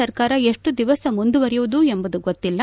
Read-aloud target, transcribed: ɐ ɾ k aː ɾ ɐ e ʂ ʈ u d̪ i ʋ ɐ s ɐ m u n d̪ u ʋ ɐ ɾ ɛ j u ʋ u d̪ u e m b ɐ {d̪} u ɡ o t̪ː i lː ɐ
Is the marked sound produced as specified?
yes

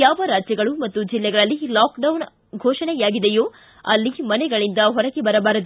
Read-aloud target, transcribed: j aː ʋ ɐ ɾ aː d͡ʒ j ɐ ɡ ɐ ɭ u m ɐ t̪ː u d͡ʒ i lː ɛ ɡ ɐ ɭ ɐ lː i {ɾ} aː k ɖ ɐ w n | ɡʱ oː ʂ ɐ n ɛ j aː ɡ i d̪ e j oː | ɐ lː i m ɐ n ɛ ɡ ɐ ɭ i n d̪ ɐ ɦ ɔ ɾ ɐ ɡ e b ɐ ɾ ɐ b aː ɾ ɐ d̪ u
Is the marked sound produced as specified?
no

